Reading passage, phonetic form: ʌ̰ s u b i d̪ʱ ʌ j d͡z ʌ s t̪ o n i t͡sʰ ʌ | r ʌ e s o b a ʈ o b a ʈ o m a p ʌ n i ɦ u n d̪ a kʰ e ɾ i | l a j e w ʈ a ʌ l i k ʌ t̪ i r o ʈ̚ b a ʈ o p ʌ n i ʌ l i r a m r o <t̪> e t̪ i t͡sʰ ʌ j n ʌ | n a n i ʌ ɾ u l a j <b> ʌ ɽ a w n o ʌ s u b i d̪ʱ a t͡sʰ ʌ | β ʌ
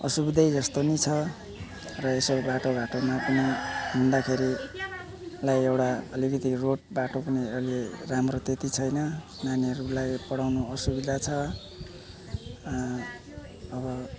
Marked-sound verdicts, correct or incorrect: correct, incorrect: p

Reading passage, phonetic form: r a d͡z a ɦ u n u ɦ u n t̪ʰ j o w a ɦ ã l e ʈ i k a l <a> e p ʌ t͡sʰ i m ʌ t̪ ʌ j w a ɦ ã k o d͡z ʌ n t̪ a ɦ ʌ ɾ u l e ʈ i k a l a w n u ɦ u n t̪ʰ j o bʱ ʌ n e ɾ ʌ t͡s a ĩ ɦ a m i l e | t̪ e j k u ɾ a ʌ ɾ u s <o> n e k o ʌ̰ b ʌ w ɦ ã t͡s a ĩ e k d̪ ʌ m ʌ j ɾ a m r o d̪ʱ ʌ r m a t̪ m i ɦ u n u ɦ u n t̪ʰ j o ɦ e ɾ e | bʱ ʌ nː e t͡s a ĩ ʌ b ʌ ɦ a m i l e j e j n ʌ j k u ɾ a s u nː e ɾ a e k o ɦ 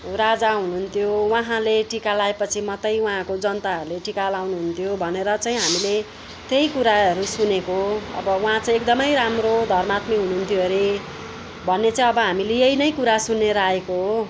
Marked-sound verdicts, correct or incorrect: correct, incorrect: u

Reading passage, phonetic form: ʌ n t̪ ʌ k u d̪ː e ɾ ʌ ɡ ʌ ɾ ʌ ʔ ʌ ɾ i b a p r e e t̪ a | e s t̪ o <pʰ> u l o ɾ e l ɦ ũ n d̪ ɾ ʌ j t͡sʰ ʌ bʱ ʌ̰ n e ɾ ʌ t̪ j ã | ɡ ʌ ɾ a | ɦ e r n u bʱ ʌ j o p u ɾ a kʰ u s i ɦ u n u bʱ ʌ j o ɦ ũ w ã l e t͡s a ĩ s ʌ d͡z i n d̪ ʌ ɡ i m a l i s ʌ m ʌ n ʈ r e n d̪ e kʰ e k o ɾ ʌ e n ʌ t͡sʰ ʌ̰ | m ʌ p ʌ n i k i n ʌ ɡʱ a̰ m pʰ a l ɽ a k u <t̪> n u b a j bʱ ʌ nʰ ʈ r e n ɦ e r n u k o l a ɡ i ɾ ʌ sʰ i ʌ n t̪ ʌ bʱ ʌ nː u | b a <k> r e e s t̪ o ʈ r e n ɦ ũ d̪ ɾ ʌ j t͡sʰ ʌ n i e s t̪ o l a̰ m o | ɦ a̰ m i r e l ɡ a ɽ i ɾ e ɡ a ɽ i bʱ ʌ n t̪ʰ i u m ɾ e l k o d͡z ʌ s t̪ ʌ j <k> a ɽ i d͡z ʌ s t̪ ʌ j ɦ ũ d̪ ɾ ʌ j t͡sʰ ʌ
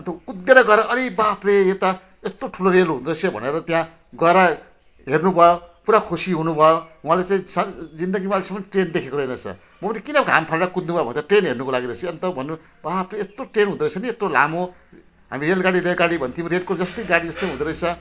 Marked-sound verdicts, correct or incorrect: incorrect: ʈʰ, incorrect: d̪, incorrect: p, incorrect: ɡ

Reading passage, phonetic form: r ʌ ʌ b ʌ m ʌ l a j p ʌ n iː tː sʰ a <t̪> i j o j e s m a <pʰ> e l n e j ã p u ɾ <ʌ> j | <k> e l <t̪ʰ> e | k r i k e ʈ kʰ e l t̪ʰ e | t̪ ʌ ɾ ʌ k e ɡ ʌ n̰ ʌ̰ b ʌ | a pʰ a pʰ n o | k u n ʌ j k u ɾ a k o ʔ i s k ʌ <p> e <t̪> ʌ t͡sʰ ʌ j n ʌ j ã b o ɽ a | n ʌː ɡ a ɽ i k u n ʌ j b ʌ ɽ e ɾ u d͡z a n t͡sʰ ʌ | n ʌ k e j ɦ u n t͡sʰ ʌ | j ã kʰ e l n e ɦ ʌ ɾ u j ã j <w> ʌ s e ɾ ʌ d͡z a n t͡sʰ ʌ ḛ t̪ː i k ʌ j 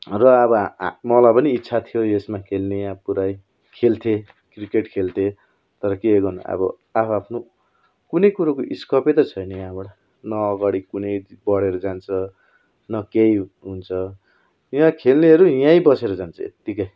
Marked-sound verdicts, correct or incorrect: incorrect: t̪ʰ, incorrect: kʰ, incorrect: a, incorrect: kʰ, correct, correct, correct, incorrect: b

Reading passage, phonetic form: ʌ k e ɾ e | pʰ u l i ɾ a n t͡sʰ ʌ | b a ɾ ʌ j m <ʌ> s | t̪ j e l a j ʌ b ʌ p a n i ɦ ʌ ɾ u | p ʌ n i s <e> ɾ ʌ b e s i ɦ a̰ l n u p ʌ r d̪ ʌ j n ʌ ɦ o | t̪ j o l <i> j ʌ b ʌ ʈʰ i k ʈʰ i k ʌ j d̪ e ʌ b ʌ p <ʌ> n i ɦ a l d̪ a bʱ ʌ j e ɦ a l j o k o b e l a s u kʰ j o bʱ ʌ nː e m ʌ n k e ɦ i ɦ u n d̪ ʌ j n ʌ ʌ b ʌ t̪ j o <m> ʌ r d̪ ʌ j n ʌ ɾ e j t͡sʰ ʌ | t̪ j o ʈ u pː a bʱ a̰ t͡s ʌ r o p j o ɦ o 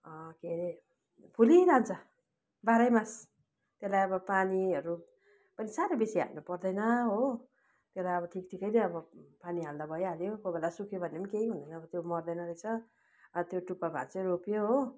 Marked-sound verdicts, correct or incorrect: incorrect: a, incorrect: a, incorrect: a, incorrect: a, correct

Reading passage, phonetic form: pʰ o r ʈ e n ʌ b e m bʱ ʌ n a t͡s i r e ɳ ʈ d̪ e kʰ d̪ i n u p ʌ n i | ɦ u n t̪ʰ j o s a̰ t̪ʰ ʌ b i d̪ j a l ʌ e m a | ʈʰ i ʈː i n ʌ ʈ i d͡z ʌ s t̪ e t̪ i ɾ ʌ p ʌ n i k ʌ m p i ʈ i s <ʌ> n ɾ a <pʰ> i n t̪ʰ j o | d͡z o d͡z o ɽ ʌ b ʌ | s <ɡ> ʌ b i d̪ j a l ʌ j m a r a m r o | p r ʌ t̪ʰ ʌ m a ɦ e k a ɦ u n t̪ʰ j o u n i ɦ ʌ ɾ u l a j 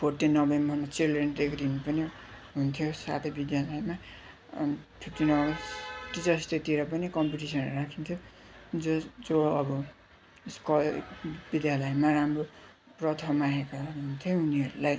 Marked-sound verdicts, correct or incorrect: correct, incorrect: kʰ, incorrect: k

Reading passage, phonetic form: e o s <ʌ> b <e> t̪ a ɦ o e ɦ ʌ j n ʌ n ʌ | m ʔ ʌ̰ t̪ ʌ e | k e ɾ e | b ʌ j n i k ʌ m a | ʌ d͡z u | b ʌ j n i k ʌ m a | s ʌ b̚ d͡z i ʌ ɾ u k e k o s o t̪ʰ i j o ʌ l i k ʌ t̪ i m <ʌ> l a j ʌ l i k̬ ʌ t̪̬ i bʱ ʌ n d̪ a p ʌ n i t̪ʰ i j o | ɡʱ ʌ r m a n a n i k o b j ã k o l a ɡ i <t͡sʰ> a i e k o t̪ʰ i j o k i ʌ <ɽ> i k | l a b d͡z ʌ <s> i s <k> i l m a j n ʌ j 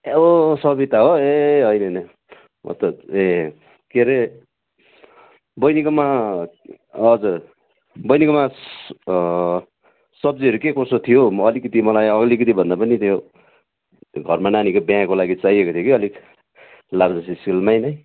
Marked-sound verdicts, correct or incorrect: correct, incorrect: i, correct, incorrect: t͡s, incorrect: l, correct, correct

